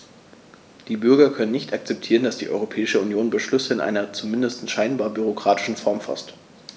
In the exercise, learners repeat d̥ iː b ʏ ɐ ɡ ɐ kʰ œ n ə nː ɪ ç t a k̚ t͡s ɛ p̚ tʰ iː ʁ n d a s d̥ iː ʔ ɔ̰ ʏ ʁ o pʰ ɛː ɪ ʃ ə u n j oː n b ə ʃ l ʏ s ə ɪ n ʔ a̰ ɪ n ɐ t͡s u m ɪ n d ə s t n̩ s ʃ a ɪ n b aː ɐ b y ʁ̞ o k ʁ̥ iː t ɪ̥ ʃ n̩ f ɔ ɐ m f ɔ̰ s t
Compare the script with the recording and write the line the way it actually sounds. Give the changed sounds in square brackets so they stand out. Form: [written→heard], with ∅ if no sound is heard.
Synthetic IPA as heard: d̥ iː b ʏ ɐ ɡ ɐ kʰ œ n ə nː ɪ ç t a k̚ t͡s ɛ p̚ tʰ iː ʁ n d a s d̥ iː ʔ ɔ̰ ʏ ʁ o pʰ ɛː ɪ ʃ ə u n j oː n b ə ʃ l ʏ s ə ɪ n ʔ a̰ ɪ n ɐ t͡s u m ɪ n d ə s t n̩ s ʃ a ɪ n b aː ɐ b y ʁ̞ o k ʁ̥ [iː→aː] t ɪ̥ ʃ n̩ f ɔ ɐ m f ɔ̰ s t